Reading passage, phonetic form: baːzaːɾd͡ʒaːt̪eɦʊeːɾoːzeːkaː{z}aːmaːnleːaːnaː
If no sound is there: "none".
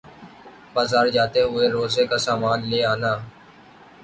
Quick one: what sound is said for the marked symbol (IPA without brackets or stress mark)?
s